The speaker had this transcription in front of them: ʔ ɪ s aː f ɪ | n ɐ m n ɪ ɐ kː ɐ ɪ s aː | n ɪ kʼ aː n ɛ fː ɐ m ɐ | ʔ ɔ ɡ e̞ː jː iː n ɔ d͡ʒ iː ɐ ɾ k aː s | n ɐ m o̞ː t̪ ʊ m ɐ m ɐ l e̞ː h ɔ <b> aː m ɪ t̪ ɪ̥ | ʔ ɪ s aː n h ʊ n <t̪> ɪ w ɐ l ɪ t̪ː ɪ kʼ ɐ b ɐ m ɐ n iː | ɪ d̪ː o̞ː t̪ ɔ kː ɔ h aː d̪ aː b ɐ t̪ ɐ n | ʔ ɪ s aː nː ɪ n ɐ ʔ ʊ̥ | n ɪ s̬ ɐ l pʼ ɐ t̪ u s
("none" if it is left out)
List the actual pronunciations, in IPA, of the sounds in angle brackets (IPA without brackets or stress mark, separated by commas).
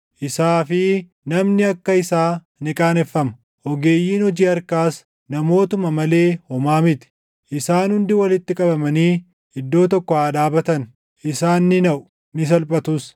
m, d̪